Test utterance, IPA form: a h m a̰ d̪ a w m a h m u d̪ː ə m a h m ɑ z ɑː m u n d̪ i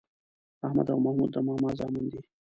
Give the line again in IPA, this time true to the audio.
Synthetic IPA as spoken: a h m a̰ d̪ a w m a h m u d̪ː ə m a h m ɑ z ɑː m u n d̪ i